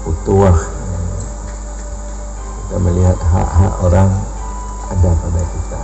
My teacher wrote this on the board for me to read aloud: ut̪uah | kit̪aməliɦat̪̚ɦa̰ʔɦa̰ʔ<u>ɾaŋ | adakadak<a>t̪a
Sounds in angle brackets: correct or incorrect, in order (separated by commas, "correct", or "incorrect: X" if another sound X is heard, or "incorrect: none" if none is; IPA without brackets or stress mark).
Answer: incorrect: o, incorrect: i